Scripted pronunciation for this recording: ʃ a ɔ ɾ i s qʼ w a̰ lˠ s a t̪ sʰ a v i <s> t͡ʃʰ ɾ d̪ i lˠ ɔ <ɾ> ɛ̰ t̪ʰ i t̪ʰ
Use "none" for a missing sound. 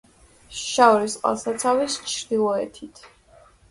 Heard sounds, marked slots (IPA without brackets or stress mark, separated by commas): s, none